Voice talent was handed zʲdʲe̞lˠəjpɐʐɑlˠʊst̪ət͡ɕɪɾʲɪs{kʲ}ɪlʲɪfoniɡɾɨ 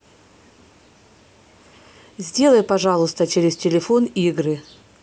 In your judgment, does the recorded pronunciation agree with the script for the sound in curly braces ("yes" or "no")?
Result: no